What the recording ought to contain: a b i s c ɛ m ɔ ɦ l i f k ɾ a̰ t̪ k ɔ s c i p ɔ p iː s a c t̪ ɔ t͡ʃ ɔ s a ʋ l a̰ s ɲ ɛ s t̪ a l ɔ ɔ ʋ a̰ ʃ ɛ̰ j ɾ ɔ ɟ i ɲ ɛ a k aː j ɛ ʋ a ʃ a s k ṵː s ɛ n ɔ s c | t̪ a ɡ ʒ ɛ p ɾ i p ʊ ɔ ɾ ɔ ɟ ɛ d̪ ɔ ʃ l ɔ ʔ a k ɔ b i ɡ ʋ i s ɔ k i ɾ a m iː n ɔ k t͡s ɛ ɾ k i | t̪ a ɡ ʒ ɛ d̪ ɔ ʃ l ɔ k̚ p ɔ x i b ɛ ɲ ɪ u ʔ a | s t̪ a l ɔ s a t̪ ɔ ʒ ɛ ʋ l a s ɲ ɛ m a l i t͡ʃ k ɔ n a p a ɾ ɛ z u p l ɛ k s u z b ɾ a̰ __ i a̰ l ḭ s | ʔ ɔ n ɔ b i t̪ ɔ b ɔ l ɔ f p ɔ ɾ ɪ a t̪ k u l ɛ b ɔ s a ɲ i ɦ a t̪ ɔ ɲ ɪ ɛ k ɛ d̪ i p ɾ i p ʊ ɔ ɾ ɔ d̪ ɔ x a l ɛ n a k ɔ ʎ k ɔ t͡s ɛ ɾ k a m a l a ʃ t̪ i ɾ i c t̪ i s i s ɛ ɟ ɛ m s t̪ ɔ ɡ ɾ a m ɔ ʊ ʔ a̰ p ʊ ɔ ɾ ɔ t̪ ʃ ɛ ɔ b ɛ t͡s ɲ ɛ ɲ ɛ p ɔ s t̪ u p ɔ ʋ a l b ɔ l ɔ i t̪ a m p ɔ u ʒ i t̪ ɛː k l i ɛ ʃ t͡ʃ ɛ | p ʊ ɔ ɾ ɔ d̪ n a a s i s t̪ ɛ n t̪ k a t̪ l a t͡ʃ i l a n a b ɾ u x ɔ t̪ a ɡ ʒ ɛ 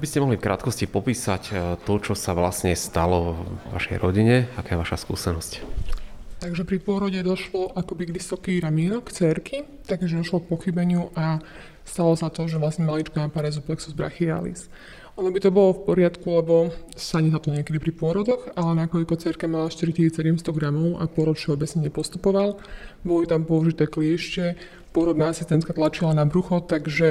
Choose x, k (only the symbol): x